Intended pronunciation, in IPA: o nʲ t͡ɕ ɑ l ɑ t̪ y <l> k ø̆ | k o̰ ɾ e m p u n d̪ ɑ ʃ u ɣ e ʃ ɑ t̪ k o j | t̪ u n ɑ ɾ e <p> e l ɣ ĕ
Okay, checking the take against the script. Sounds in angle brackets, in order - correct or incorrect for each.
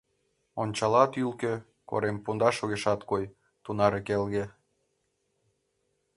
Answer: correct, incorrect: k

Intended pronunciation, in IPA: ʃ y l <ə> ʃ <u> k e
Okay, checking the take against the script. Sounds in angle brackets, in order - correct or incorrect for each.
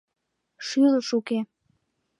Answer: correct, correct

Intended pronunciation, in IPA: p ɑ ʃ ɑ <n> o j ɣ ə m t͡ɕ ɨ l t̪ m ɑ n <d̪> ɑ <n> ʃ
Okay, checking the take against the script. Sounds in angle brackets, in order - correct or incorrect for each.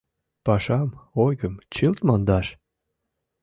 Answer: incorrect: m, correct, incorrect: none

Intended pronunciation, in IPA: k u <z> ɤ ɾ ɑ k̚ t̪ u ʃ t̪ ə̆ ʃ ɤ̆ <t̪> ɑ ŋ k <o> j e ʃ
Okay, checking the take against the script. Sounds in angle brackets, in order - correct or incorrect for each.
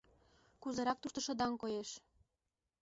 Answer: correct, incorrect: d̪, correct

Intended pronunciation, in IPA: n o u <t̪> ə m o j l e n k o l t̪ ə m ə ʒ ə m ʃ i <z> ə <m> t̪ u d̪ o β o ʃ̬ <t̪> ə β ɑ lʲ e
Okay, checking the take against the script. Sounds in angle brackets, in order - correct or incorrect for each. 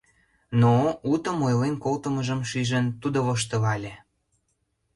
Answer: correct, incorrect: ʒ, incorrect: n, correct

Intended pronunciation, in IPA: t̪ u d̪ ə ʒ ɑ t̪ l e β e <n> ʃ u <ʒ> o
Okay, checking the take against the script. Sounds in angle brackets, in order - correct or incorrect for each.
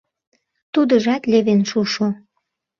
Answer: correct, incorrect: ʃ

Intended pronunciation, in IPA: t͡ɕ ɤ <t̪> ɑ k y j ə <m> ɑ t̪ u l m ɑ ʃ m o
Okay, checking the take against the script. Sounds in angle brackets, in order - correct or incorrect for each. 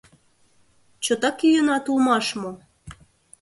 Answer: correct, incorrect: n

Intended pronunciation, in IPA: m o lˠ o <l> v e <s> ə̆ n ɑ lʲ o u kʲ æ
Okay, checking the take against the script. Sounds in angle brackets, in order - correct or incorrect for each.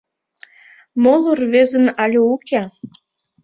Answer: incorrect: r, incorrect: z

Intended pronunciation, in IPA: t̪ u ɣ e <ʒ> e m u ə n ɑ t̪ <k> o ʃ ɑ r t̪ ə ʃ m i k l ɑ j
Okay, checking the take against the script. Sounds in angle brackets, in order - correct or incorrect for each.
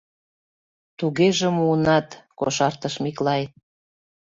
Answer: correct, correct

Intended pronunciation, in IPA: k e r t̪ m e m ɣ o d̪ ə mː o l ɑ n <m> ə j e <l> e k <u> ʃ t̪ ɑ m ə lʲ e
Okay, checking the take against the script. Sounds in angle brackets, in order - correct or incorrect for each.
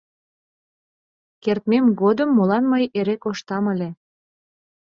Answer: correct, incorrect: ɾ, incorrect: o

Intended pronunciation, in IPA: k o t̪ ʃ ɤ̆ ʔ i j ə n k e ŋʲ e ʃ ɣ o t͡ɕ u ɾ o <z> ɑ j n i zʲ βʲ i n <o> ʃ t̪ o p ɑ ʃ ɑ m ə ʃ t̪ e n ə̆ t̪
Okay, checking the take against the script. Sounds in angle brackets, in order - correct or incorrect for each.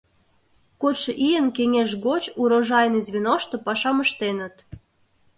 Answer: incorrect: ʒ, correct

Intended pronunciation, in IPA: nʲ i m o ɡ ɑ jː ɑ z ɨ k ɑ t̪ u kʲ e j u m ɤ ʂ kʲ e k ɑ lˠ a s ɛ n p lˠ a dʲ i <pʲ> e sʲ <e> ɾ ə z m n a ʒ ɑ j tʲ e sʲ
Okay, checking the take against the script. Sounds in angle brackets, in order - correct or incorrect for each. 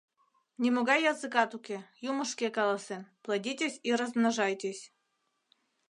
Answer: incorrect: tʲ, incorrect: i

